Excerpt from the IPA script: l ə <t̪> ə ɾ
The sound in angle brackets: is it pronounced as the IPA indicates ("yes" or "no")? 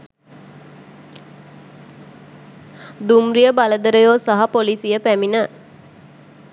no